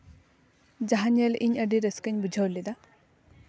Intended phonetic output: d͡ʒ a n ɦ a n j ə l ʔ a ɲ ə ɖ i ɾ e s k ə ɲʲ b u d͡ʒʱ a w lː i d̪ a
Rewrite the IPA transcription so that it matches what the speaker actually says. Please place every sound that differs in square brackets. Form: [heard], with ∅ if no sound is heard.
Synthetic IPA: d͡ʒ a [∅] ɦ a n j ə l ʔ [i] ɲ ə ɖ i ɾ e s k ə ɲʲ b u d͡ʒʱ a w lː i d̪ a